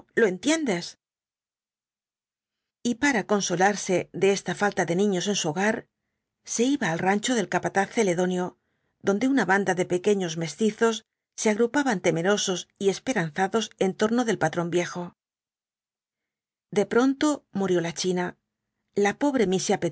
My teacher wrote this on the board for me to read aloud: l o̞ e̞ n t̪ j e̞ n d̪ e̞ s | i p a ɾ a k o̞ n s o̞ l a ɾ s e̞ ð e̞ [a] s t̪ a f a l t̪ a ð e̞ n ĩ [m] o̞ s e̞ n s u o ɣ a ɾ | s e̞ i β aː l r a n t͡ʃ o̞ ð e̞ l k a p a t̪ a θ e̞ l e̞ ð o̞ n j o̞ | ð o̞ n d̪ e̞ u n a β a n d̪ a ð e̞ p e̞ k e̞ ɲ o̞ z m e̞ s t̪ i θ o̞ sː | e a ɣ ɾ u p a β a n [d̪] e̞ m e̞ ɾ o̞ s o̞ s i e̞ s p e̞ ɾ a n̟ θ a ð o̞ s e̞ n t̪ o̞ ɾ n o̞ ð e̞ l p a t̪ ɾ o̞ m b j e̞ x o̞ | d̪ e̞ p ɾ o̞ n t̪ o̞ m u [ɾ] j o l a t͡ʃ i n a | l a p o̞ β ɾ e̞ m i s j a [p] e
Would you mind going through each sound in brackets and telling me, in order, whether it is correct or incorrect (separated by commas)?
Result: incorrect, incorrect, incorrect, correct, correct